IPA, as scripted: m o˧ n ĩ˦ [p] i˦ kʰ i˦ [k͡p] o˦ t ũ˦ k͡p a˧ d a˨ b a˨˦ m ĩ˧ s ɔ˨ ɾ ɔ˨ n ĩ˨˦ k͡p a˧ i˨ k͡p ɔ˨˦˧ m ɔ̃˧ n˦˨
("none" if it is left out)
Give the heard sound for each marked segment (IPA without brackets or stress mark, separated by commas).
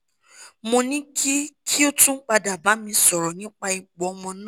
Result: k, none